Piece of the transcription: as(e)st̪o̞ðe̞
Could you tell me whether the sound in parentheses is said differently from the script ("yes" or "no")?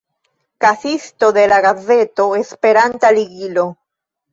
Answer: yes